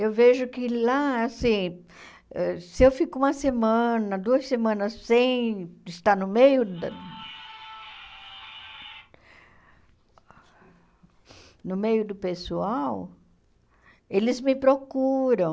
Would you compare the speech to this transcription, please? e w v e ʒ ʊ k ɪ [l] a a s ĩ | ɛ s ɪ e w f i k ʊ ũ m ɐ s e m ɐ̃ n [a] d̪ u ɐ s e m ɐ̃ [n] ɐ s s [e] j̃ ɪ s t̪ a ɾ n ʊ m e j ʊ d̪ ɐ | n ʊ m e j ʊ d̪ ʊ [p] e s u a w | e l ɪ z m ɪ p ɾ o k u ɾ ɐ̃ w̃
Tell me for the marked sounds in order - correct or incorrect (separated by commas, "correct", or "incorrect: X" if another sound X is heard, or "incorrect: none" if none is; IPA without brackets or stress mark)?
correct, incorrect: ɐ, correct, incorrect: ẽ, correct